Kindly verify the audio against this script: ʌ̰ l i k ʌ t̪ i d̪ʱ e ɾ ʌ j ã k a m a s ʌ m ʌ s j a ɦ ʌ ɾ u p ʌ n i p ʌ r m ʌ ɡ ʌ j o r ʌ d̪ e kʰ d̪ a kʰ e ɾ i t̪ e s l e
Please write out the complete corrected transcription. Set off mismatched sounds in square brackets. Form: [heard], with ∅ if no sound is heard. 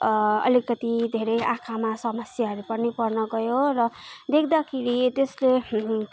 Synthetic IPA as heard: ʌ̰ l i k ʌ t̪ i d̪ʱ e ɾ ʌ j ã [kʰ] a m a s ʌ m ʌ s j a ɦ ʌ ɾ u p ʌ n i p ʌ r [n] ʌ ɡ ʌ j o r ʌ d̪ e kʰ d̪ a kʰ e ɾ i t̪ e s l e